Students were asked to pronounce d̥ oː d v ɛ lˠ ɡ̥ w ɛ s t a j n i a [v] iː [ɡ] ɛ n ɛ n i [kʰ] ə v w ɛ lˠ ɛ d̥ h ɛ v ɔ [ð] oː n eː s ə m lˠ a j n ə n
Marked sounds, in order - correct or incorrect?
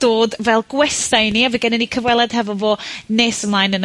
correct, correct, correct, incorrect

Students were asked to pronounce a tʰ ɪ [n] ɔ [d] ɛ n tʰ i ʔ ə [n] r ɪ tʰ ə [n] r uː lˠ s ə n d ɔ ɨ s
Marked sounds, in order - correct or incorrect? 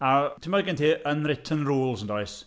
incorrect, incorrect, correct, correct

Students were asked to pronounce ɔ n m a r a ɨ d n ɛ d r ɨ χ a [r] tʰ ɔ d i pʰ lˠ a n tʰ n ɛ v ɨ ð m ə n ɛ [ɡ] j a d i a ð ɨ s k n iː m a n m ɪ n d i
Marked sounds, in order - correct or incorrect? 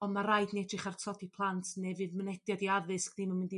correct, incorrect

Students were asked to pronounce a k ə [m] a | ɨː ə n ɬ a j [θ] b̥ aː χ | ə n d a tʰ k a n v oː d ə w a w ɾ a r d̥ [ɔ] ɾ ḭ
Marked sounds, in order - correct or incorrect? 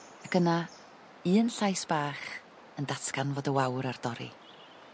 incorrect, incorrect, correct

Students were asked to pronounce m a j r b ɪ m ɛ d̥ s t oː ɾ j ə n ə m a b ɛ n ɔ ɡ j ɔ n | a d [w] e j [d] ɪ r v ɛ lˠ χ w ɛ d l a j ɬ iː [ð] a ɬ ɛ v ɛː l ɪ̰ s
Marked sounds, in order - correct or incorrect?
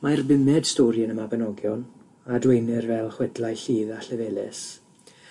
correct, incorrect, correct

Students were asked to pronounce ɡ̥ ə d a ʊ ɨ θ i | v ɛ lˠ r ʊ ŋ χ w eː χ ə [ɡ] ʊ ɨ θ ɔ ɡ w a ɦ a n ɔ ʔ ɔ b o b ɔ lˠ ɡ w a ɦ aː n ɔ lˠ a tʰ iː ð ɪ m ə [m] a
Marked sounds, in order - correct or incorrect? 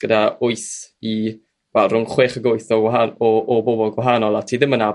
correct, incorrect

